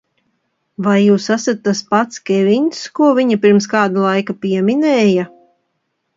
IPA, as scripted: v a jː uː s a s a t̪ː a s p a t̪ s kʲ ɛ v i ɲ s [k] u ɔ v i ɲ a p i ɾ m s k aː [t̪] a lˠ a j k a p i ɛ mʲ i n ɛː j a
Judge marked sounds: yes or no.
yes, no

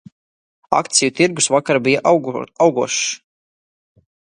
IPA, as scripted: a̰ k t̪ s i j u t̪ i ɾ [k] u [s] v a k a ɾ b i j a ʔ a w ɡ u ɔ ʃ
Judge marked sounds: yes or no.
no, yes

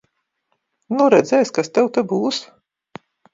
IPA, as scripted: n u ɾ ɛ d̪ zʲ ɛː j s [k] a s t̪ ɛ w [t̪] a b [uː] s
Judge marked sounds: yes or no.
yes, yes, yes

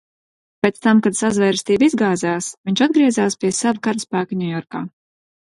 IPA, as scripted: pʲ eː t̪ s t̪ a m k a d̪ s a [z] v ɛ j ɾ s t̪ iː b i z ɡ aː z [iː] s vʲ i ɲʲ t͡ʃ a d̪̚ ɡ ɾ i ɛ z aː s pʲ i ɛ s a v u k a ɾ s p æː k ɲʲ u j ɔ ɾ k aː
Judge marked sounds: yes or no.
yes, no

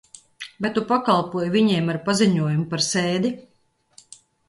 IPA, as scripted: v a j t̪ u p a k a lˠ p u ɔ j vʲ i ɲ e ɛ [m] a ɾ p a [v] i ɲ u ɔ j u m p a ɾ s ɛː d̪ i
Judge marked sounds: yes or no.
yes, no

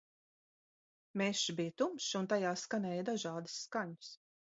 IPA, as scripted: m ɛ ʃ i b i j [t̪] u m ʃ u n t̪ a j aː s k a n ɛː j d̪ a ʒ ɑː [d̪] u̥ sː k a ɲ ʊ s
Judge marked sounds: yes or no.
yes, yes

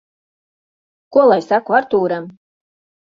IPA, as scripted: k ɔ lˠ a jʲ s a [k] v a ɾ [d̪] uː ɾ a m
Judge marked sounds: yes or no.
yes, no

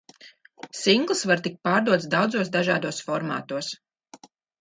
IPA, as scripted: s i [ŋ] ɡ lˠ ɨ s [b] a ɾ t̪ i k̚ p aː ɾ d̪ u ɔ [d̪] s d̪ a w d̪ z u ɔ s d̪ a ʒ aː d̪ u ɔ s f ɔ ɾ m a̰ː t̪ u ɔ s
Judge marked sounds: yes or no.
yes, no, no

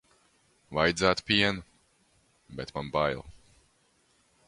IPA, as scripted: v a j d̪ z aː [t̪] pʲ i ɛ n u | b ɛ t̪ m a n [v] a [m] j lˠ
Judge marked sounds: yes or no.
yes, no, no

